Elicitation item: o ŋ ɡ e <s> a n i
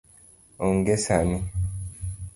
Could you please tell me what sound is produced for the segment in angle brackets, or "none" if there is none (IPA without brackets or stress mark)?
s